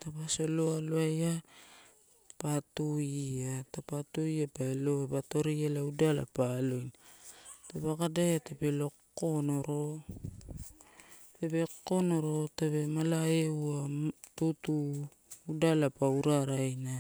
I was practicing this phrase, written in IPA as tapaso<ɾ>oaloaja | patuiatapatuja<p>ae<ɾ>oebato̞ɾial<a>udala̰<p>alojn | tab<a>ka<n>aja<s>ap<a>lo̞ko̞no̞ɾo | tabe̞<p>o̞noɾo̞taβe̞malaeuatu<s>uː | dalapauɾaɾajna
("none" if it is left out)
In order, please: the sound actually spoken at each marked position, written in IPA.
l, p, l, a, p, a, d, t, e, k, t

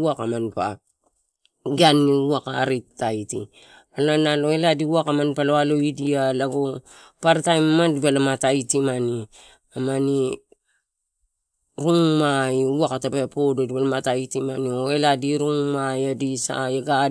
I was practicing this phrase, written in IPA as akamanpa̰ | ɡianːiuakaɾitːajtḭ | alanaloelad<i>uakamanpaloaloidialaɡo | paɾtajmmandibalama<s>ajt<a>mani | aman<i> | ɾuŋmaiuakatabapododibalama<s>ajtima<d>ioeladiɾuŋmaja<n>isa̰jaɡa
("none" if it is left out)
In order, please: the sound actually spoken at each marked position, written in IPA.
i, t, i, i, t, n, d

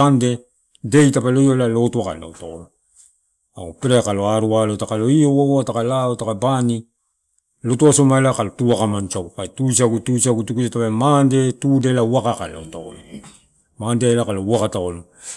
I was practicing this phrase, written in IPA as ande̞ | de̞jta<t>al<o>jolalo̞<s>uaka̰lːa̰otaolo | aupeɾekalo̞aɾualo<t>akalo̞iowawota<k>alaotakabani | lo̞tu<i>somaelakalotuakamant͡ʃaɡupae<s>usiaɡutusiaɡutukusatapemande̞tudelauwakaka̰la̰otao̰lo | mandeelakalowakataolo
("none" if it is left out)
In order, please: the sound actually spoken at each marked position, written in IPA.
p, o, t, t, k, a, t

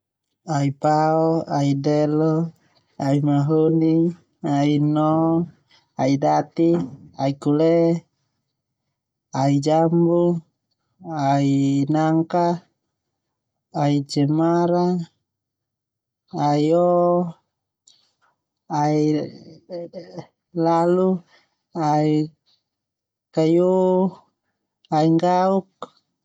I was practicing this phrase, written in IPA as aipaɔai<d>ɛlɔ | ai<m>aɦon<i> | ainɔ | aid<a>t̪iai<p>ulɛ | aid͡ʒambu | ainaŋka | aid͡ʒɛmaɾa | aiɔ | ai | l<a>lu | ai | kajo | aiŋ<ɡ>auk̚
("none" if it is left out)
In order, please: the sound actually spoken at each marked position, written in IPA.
d, m, i, a, k, a, ɡ

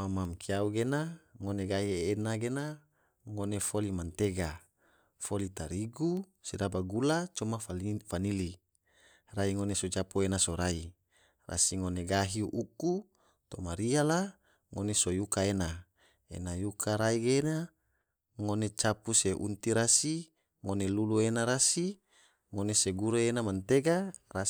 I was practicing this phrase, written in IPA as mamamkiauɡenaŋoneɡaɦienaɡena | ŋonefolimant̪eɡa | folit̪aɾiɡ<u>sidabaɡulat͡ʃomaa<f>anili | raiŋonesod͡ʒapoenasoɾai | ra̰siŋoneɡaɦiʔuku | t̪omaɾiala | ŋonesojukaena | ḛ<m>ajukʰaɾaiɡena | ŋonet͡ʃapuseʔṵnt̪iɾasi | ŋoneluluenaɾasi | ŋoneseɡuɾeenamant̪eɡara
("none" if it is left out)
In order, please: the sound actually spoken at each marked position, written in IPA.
u, f, n

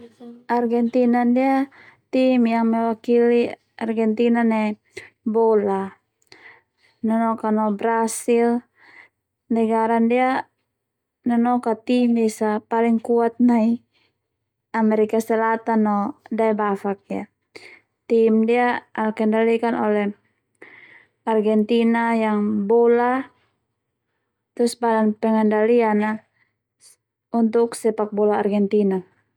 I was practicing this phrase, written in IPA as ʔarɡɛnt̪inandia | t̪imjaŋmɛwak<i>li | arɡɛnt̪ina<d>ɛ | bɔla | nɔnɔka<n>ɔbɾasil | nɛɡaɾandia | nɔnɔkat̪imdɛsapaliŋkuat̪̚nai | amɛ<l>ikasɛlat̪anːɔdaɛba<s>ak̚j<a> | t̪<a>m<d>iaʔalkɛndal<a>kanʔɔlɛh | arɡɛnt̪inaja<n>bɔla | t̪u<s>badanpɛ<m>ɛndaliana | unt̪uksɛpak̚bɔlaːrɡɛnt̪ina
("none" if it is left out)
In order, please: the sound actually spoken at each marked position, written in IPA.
i, n, n, ɾ, f, a, i, d, i, ŋ, s, ŋ

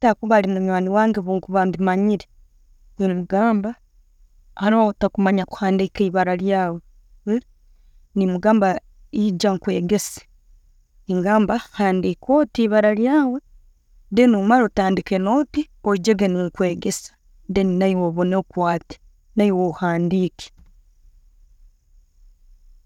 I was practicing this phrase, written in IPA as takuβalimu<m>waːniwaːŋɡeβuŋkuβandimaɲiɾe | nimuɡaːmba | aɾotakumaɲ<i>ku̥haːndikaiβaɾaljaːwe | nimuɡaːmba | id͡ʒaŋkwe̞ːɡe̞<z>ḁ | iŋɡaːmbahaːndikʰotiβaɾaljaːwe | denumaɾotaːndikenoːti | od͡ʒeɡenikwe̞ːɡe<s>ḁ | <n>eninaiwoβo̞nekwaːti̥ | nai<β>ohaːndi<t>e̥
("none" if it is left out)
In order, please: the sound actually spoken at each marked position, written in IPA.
ɲ, a, s, s, d, w, k

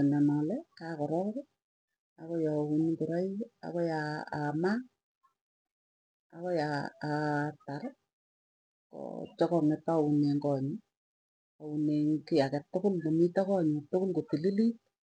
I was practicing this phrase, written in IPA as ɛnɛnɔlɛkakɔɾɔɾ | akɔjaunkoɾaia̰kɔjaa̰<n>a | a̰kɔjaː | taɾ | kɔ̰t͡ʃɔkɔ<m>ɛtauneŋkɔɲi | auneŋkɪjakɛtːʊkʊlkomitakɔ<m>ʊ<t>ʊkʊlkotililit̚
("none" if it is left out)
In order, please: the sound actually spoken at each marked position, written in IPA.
m, ŋ, ɲ, t

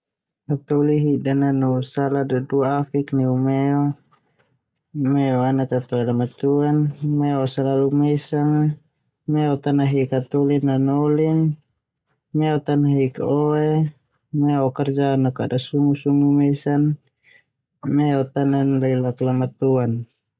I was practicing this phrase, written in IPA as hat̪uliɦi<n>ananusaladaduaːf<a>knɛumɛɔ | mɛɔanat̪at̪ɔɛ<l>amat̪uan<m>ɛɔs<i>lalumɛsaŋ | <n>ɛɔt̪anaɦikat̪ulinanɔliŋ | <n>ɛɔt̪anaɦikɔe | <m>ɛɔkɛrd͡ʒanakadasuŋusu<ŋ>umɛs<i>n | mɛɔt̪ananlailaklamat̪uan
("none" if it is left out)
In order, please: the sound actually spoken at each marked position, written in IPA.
d, i, l, m, a, m, m, m, ŋ, a

